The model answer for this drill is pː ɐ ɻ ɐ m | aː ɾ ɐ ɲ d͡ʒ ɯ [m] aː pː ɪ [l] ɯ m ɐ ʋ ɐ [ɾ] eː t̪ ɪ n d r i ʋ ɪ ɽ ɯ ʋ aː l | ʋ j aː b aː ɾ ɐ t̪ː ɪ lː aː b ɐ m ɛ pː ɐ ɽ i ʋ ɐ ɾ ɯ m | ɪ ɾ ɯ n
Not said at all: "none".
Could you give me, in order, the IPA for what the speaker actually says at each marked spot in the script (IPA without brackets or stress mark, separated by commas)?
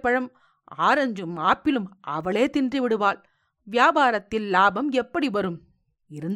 m, l, ɭ